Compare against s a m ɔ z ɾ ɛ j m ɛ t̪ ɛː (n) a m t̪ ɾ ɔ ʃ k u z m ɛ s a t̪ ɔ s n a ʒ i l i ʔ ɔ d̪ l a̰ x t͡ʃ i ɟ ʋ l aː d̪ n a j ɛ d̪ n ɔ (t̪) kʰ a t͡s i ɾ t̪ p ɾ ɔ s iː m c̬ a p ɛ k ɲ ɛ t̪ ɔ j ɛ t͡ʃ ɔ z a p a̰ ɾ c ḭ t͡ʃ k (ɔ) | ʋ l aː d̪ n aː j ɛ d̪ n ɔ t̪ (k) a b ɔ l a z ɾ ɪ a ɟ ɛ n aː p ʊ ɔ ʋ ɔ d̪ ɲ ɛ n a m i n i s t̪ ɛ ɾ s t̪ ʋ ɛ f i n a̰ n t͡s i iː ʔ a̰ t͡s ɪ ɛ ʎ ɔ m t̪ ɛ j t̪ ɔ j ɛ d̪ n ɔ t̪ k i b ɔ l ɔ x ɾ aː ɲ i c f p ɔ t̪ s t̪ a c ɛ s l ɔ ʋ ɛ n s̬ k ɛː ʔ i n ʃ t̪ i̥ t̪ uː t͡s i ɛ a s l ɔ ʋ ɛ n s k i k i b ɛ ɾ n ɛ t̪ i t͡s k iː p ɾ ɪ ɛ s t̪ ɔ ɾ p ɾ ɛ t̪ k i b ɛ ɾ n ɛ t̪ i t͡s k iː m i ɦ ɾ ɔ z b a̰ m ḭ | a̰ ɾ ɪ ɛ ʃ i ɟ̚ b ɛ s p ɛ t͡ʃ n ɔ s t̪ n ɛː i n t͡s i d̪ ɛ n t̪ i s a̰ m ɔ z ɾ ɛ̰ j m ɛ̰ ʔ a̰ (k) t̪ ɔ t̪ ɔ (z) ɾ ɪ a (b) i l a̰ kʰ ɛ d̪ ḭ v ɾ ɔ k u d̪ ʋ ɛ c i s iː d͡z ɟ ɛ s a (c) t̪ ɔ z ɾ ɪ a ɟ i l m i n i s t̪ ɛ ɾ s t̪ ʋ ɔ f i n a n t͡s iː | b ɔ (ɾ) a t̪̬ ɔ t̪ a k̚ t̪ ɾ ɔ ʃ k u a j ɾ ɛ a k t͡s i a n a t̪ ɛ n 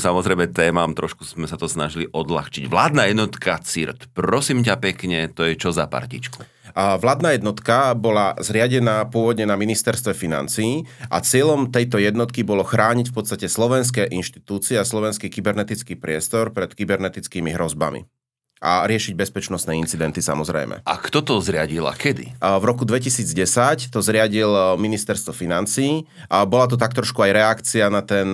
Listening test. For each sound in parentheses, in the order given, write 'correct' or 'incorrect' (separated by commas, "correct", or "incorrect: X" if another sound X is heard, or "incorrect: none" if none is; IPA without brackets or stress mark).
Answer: incorrect: m, correct, incorrect: u, correct, correct, correct, incorrect: ɟ, correct, incorrect: l